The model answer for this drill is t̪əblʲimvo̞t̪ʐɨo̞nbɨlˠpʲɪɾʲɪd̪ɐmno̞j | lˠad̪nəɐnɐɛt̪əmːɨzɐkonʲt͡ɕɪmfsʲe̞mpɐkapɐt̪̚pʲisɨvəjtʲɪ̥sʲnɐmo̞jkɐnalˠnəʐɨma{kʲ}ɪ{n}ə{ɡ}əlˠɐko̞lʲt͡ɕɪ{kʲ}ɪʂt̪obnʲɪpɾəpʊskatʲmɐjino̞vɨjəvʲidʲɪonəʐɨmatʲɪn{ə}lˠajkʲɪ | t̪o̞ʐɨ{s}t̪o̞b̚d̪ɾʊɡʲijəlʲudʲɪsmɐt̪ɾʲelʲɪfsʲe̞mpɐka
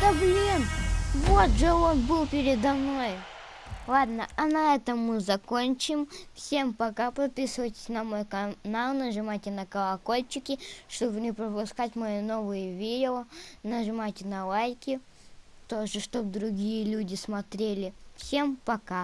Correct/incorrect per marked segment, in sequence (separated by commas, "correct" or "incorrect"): incorrect, correct, incorrect, correct, incorrect, incorrect